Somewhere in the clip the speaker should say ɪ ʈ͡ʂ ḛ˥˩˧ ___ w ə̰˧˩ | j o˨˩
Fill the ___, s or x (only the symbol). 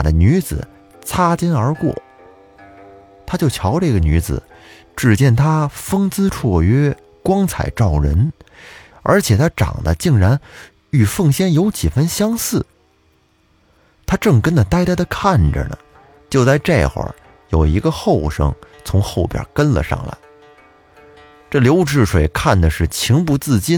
x